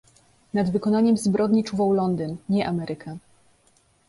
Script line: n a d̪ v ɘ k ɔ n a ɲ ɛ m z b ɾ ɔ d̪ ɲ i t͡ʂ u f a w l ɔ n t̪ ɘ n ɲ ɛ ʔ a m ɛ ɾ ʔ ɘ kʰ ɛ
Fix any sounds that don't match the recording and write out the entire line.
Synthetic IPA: n a d̪ v ɘ k ɔ n a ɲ ɛ m z b ɾ ɔ d̪ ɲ i t͡ʂ u v a w l ɔ n d̪ ɘ n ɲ ɛ ʔ a m ɛ ɾ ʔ ɘ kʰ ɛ